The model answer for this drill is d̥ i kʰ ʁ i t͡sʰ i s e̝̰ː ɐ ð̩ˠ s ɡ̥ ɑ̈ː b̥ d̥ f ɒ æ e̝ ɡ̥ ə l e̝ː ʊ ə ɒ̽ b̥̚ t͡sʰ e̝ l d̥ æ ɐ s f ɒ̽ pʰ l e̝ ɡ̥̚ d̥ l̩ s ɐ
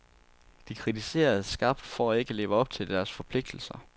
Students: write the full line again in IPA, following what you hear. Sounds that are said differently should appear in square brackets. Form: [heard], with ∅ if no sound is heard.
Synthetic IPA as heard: d̥ i kʰ ʁ i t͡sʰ i s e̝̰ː ɐ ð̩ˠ s ɡ̥ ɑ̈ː b̥ d̥ f ɒ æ e̝ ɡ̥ ə l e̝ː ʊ ə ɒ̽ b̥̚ t͡sʰ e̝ l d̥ æ ɐ s f ɒ̽ pʰ l e̝ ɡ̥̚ d̥ l̩ s ɐ

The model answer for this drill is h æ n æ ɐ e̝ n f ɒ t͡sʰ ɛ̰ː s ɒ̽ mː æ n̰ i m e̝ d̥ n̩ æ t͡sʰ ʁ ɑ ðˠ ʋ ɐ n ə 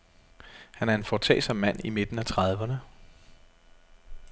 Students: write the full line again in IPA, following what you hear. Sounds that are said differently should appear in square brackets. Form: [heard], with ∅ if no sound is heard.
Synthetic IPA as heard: h æ n æ ɐ e̝ n f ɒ t͡sʰ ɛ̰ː s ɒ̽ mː æ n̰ i m e̝ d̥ n̩ æ t͡sʰ ʁ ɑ ðˠ ʋ ɐ n ə

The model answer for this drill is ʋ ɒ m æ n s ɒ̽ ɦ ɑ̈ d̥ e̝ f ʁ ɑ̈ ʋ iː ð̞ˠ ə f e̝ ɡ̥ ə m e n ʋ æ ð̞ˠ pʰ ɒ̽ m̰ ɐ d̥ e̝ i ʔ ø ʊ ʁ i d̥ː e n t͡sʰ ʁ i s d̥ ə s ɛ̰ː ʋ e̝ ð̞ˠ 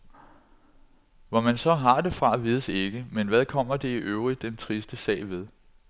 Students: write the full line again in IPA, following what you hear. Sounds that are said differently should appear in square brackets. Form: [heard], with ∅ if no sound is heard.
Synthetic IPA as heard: ʋ ɒ m æ n s ɒ̽ ɦ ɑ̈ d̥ e̝ f ʁ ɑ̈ ʋ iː ð̞ˠ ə [s] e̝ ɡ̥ ə m e n ʋ æ ð̞ˠ [kʰ] ɒ̽ m̰ ɐ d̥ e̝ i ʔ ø ʊ ʁ i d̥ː e n t͡sʰ ʁ i s d̥ ə s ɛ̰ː ʋ e̝ ð̞ˠ

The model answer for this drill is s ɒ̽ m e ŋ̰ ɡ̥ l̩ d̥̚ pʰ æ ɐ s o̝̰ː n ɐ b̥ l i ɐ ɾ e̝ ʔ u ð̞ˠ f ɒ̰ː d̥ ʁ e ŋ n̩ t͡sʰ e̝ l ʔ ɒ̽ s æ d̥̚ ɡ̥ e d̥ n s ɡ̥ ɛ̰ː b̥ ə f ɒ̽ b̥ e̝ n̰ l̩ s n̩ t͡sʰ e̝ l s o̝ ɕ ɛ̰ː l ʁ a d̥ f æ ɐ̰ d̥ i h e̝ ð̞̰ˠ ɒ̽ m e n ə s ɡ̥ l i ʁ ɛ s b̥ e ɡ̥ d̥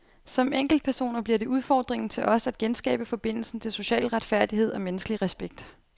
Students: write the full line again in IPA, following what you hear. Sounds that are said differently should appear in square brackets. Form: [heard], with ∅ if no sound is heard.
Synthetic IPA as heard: s ɒ̽ m e ŋ̰ ɡ̥ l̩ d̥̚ pʰ æ ɐ s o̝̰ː n ɐ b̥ l i ɐ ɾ e̝ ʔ u ð̞ˠ f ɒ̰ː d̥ ʁ e ŋ n̩ t͡sʰ e̝ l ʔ ɒ̽ s æ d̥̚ ɡ̥ e [∅] n s ɡ̥ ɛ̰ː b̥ ə f ɒ̽ b̥ e̝ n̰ l̩ s n̩ t͡sʰ e̝ l s o̝ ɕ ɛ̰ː l ʁ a d̥ f æ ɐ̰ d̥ i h e̝ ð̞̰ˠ ɒ̽ m e n ə s ɡ̥ l i ʁ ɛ s b̥ e ɡ̥ d̥

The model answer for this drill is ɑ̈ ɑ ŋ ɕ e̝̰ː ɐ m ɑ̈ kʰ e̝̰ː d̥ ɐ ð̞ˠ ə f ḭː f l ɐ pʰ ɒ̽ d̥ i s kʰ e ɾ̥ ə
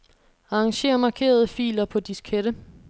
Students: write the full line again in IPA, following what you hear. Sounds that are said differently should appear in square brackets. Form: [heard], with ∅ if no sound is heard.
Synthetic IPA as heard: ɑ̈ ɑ ŋ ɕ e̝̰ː ɐ m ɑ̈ kʰ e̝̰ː [∅] ɐ ð̞ˠ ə f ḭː [∅] l ɐ pʰ ɒ̽ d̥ i s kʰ e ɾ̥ ə

